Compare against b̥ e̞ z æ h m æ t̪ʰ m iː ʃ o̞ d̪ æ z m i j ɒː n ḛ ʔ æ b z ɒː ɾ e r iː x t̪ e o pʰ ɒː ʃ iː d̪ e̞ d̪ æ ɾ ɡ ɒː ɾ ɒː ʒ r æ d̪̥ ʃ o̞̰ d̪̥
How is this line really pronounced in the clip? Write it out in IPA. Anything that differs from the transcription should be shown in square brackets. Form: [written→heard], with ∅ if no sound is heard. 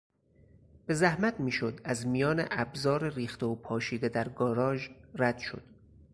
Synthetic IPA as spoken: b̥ e̞ z æ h m æ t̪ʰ m iː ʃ o̞ d̪ æ z m i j ɒː n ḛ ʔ æ b z ɒː ɾ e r iː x t̪ e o pʰ ɒː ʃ iː d̪ e̞ d̪ æ ɾ ɡ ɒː ɾ ɒː ʒ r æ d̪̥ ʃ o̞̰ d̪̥